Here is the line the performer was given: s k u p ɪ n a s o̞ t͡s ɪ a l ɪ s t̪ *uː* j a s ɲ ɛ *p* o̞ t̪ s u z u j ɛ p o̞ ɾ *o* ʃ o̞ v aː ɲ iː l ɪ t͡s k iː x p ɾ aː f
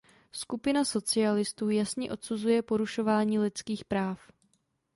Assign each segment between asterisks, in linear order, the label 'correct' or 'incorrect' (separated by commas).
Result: correct, incorrect, incorrect